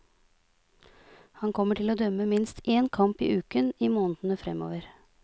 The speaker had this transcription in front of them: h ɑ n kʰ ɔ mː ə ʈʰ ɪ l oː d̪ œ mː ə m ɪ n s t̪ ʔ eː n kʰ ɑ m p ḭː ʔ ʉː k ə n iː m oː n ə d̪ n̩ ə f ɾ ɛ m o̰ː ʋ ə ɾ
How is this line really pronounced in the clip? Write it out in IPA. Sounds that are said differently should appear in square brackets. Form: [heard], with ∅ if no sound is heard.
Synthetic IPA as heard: h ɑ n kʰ ɔ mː ə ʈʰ ɪ l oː d̪ œ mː ə m ɪ n s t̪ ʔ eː n kʰ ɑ m p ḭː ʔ ʉː k ə n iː m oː n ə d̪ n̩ ə f ɾ ɛ m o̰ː ʋ ə ɾ

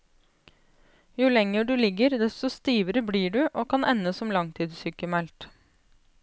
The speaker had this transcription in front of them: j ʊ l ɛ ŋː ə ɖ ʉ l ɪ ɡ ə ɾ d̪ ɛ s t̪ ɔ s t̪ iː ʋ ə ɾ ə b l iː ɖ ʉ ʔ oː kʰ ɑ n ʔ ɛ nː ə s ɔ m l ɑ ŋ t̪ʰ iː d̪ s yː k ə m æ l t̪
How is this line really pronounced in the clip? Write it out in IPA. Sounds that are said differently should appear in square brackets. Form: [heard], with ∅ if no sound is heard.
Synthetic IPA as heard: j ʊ l ɛ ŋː ə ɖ ʉ l ɪ ɡ ə ɾ d̪ ɛ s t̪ ɔ s t̪ iː ʋ ə ɾ ə b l iː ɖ ʉ ʔ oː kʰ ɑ n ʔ ɛ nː ə s ɔ m l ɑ ŋ t̪ʰ iː d̪ s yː k ə m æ l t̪

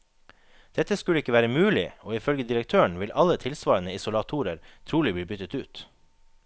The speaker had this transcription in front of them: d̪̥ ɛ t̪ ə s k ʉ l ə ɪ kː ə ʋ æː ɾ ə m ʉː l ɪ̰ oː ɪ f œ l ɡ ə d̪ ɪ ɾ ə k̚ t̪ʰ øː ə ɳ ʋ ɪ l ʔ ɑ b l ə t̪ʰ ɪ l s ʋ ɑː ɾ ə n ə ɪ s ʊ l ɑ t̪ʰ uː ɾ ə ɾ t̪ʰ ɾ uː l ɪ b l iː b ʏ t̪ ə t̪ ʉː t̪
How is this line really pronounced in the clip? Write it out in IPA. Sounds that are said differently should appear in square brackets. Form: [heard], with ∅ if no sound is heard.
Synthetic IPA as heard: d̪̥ ɛ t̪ ə s k ʉ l ə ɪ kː ə ʋ æː ɾ ə m ʉː l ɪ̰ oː ɪ f œ l ɡ ə d̪ ɪ ɾ ə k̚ t̪ʰ øː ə ɳ ʋ ɪ l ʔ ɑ [∅] l ə t̪ʰ ɪ l s ʋ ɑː ɾ ə n ə ɪ s ʊ l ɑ t̪ʰ uː ɾ ə ɾ t̪ʰ ɾ uː l ɪ b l iː b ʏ t̪ ə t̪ ʉː t̪

